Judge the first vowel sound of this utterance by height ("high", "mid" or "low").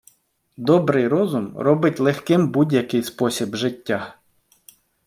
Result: mid